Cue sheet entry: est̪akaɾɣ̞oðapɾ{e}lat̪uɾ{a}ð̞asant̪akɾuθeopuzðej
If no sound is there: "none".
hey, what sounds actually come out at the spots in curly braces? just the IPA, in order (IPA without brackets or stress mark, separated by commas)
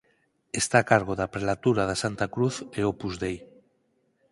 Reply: e, a